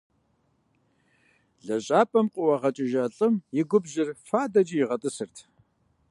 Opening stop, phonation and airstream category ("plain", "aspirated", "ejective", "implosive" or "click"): ejective